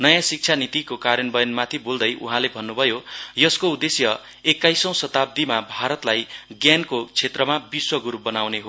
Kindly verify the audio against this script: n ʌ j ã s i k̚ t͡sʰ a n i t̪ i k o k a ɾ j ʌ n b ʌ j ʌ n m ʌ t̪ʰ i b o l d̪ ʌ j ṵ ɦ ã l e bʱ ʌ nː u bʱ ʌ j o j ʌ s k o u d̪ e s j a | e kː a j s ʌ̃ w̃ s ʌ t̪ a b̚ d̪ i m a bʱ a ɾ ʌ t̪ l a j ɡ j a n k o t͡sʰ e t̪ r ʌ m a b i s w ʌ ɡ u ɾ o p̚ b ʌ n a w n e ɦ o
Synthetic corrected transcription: n ʌ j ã s i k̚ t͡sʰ a n i t̪ i k o k a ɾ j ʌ n b ʌ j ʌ n m a t̪ʰ i b o l d̪ ʌ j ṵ ɦ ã l e bʱ ʌ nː u bʱ ʌ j o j ʌ s k o u d̪ e s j ʌ | e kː a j s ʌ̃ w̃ s ʌ t̪ a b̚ d̪ i m a bʱ a ɾ ʌ t̪ l a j ɡ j a n k o t͡sʰ e t̪ r ʌ m a b i s w ʌ ɡ u ɾ u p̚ b ʌ n a w n e ɦ o